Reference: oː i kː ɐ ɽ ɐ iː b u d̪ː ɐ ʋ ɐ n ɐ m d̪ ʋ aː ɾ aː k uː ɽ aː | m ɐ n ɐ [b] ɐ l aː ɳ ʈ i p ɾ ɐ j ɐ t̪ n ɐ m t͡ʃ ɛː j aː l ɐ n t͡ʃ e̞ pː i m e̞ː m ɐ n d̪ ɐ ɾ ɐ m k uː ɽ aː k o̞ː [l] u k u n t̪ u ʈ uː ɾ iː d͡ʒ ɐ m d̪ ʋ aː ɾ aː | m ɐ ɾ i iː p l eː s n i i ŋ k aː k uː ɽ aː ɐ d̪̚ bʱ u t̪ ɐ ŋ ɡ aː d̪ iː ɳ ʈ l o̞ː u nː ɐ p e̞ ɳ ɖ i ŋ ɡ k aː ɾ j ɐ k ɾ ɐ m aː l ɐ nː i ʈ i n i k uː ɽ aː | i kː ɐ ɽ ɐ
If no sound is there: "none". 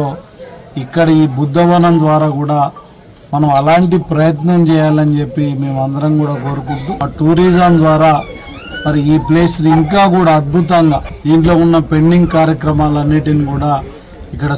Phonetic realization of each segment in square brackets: m, ɾ

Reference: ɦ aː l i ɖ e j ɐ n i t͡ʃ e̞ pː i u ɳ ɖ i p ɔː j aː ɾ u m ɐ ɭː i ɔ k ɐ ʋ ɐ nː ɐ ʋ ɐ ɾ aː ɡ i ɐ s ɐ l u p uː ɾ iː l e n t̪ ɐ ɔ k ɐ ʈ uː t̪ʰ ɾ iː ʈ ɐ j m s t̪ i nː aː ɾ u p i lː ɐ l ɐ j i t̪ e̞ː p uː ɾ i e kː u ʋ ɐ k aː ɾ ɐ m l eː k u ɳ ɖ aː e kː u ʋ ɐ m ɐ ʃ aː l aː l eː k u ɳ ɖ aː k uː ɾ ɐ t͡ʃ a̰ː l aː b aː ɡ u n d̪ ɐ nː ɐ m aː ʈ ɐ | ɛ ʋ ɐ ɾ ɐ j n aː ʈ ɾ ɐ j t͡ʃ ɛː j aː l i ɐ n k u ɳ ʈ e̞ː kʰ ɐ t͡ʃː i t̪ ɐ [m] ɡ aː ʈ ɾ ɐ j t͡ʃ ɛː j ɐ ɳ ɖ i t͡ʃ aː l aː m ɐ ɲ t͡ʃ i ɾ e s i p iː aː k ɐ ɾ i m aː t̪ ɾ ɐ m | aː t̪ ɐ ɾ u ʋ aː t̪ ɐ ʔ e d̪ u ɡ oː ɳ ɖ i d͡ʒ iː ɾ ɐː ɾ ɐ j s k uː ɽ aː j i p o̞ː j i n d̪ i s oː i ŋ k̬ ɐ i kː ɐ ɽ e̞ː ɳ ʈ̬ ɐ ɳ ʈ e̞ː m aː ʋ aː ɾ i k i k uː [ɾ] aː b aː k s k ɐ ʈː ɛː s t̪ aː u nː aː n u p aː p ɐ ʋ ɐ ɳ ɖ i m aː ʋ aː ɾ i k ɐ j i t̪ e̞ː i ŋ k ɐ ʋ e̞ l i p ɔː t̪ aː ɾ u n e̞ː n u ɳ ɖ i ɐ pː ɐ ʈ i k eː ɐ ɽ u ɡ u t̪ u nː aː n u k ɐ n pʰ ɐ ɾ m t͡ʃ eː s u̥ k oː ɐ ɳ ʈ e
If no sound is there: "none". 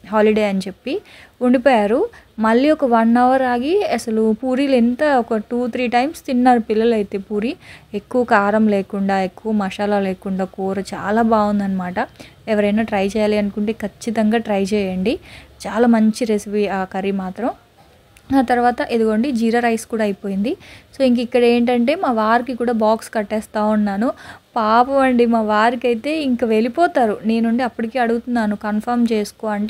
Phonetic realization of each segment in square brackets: ŋ, ɽ

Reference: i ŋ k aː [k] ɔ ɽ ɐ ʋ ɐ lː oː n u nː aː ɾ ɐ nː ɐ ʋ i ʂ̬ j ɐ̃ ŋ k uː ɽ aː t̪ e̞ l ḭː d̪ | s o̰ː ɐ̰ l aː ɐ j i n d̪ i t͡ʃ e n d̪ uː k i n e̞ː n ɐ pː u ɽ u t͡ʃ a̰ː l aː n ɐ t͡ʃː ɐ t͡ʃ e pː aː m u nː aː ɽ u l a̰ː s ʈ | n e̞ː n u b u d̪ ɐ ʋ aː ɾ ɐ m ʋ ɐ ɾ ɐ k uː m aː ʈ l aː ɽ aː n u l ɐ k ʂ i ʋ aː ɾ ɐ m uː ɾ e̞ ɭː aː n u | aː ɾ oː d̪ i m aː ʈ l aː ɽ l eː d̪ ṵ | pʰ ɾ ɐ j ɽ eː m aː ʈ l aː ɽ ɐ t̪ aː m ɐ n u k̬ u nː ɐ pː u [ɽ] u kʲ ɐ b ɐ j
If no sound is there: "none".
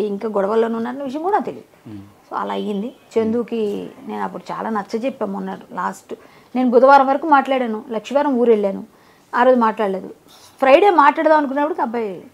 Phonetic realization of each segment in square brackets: ɡ, ɽ

